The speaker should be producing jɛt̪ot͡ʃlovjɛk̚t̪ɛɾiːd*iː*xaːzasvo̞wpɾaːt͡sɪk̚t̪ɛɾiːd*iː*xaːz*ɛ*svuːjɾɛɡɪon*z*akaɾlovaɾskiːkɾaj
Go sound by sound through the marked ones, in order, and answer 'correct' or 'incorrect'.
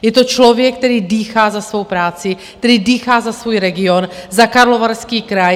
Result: correct, correct, incorrect: a, correct

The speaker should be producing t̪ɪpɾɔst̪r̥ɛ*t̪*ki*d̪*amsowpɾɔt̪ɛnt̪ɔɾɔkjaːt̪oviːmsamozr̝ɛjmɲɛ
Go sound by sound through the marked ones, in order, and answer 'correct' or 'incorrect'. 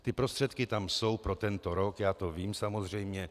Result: correct, incorrect: t̪

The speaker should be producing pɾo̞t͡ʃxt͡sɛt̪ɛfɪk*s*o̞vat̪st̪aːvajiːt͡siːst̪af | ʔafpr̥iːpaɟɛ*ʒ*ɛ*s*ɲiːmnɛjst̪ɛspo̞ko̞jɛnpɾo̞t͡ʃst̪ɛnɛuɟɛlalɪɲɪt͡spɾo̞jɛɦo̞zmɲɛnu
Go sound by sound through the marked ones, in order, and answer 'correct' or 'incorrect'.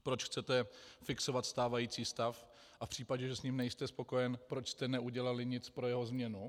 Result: correct, correct, correct

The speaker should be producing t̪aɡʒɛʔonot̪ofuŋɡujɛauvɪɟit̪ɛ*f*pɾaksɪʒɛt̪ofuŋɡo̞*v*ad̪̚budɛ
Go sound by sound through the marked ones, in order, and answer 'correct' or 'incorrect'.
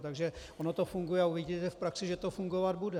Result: correct, correct

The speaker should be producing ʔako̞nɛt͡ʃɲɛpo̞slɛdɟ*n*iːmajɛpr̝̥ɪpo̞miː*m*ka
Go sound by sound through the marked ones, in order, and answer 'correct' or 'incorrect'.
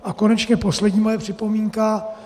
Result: incorrect: ɲ, incorrect: ŋ

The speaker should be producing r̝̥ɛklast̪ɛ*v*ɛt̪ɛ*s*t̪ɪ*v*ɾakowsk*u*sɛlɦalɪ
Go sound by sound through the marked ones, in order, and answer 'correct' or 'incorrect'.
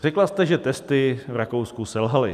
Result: incorrect: ʒ, correct, correct, correct

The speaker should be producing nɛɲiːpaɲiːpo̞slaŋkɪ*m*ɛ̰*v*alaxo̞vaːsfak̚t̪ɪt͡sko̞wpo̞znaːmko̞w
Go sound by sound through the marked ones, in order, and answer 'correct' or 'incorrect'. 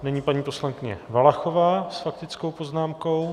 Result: incorrect: ɲ, correct

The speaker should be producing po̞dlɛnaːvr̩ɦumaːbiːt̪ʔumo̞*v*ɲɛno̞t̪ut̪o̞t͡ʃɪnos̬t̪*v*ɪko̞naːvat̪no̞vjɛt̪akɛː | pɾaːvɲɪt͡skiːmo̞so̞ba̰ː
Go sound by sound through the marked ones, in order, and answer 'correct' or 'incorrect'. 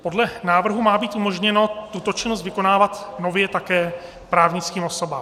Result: incorrect: ʒ, correct

